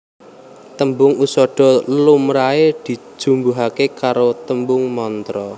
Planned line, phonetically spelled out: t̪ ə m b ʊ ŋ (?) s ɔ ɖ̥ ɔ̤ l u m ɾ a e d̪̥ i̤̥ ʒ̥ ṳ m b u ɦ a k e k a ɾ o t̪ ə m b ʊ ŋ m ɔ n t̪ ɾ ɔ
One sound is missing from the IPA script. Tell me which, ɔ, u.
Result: u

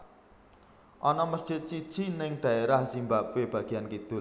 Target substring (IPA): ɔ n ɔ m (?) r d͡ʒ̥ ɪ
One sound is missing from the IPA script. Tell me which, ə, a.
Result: ə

